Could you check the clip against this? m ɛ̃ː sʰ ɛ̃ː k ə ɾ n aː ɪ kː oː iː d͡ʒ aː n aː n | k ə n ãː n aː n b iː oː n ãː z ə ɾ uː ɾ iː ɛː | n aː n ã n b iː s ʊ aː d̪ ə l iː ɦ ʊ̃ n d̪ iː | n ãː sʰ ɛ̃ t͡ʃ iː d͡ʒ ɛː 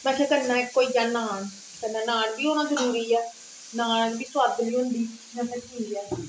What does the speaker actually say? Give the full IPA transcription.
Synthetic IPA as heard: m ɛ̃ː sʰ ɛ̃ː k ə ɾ n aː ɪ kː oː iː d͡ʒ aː n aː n | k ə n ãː n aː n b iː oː n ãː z ə ɾ uː ɾ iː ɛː | n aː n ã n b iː s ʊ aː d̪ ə l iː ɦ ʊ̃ n d̪ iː | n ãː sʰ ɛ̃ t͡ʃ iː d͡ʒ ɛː